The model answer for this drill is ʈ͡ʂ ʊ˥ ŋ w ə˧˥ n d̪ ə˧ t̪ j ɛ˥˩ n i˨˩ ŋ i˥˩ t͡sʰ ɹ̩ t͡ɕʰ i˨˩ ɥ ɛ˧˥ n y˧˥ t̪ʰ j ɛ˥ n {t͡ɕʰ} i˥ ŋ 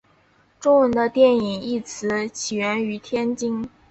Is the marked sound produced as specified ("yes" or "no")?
no